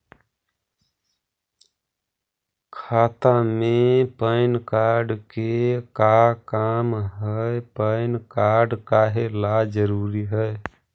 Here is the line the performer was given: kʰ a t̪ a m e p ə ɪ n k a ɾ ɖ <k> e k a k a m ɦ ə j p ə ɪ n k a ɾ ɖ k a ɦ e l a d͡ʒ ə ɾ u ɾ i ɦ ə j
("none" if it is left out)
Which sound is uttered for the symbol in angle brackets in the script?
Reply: k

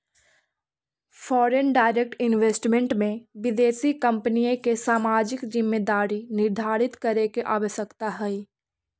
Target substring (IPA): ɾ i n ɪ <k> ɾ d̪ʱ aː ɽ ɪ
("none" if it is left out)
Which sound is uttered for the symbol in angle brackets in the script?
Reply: none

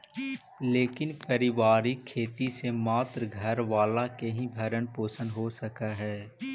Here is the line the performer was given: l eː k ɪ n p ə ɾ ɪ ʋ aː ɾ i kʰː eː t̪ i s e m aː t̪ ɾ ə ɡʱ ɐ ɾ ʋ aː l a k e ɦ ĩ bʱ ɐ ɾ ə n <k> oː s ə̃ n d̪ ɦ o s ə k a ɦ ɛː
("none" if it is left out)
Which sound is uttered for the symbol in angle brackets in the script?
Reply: p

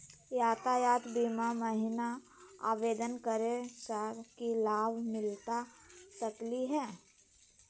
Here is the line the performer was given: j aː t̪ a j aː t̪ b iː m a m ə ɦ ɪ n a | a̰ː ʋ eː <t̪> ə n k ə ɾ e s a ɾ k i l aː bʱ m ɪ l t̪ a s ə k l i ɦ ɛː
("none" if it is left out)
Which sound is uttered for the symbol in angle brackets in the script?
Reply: d̪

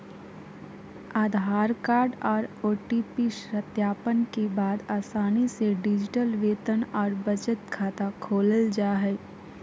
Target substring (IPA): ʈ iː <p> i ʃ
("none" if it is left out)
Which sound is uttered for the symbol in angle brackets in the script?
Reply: p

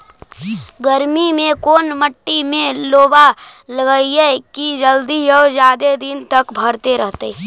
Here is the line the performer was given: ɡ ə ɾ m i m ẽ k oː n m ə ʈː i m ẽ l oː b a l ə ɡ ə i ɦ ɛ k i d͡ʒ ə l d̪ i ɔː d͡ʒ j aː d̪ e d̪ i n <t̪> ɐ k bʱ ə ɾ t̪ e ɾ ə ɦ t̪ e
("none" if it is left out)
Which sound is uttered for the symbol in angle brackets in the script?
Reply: t̪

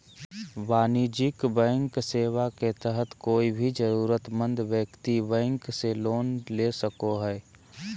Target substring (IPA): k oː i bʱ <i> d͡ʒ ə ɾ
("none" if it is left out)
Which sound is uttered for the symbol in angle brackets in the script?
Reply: i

